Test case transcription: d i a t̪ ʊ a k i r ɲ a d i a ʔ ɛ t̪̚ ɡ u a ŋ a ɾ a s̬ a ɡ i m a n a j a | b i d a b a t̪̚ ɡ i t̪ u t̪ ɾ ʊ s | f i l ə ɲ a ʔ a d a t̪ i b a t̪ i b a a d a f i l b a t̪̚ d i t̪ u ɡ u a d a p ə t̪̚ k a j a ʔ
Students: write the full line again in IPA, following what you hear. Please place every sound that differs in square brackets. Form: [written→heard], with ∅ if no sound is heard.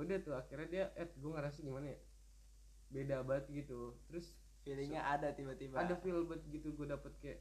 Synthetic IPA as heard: d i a t̪ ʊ a k i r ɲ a d i a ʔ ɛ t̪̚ ɡ u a ŋ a ɾ a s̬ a ɡ i m a n a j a | b [i→e] d a b a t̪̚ ɡ i t̪ u t̪ ɾ ʊ s | f i l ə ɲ a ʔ a d a t̪ i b a t̪ i b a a d a f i l b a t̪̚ [d→ɡ] i t̪ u ɡ u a d a p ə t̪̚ k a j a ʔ